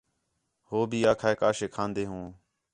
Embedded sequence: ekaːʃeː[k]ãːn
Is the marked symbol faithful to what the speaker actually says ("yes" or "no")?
no